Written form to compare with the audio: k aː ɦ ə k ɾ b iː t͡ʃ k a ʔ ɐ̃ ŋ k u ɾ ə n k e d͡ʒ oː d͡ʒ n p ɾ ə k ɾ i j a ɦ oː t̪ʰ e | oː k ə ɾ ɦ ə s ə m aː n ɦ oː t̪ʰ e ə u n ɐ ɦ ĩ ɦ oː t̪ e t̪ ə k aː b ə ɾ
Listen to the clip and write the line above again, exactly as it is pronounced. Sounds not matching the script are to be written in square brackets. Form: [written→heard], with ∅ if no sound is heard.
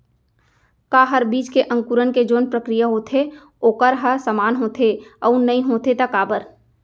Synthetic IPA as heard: k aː ɦ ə [k→∅] ɾ b iː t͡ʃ k [a→e] ʔ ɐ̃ ŋ k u ɾ ə n k e d͡ʒ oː [d͡ʒ→∅] n p ɾ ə k ɾ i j a ɦ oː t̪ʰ e | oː k ə ɾ ɦ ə s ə m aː n ɦ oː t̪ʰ e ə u n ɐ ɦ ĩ ɦ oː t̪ e t̪ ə k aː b ə ɾ